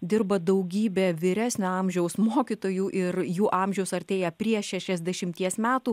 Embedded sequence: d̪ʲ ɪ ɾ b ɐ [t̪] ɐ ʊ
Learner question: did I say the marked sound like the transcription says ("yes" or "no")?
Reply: no